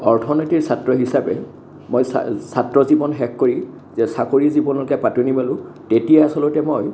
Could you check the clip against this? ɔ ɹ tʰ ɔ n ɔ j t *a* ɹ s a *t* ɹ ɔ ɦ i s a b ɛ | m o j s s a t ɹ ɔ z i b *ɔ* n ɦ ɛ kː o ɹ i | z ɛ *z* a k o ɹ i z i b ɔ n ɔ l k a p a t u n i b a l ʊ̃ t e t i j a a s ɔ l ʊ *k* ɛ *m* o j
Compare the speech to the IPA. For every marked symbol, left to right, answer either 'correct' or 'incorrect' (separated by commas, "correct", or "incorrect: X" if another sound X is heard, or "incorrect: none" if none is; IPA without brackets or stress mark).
incorrect: i, correct, correct, incorrect: s, incorrect: t, correct